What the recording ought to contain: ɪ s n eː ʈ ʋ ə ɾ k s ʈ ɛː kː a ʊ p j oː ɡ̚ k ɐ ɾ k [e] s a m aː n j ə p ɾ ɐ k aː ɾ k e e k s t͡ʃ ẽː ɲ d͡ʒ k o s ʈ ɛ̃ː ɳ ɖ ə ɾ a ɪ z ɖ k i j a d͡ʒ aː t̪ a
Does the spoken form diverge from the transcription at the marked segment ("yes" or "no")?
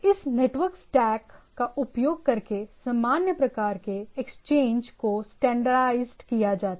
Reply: no